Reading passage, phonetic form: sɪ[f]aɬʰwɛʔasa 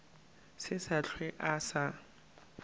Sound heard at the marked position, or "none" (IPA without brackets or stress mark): s